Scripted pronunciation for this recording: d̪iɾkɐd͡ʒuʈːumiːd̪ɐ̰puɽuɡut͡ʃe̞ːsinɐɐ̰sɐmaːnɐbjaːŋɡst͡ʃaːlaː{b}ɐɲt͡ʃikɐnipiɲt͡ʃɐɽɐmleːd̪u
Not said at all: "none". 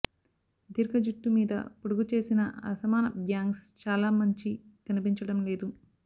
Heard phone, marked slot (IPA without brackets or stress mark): m